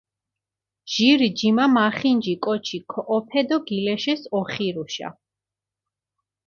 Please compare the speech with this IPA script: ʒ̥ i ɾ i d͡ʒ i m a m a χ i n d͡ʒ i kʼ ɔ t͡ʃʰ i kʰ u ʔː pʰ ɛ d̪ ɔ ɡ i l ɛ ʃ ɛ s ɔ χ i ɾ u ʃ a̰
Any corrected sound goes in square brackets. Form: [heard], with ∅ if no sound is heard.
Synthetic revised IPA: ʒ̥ i ɾ i d͡ʒ i m a m a χ i n d͡ʒ i kʼ ɔ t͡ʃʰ i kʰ [ɔ] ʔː pʰ ɛ d̪ ɔ ɡ i l ɛ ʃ ɛ s ɔ χ i ɾ u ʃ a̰